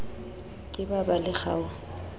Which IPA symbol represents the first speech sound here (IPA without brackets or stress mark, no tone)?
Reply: kʼ